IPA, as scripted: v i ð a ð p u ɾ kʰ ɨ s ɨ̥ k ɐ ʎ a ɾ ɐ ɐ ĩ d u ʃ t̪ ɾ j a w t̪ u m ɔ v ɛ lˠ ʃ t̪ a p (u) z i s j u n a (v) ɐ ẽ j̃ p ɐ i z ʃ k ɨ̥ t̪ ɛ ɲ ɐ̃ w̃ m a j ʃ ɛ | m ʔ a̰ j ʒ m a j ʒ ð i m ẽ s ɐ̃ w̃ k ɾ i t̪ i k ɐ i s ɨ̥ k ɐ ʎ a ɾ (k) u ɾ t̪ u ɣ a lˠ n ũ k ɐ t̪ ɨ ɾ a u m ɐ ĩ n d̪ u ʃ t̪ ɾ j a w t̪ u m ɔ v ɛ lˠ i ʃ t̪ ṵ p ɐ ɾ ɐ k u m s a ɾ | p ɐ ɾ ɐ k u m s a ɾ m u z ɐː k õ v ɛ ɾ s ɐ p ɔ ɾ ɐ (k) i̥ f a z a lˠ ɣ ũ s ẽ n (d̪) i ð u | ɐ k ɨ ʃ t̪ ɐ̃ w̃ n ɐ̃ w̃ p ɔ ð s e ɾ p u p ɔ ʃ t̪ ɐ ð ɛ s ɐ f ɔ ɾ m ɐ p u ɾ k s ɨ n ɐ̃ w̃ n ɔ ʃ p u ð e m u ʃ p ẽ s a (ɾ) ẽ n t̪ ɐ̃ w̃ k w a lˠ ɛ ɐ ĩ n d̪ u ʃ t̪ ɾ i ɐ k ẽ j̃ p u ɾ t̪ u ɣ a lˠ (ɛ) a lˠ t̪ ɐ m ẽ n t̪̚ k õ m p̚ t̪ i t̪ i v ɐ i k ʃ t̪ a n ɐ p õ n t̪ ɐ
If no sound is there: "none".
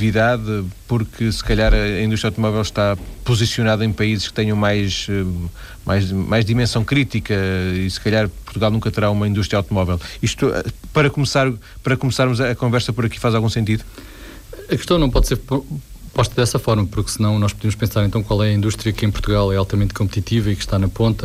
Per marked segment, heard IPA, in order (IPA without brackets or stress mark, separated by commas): u, ð, p, k, t̪, ɾ, ɛ